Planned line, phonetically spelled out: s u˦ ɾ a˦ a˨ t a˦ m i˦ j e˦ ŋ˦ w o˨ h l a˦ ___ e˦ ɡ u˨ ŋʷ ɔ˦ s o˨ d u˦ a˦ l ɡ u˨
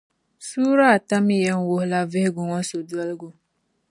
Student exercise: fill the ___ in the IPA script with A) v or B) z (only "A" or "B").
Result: A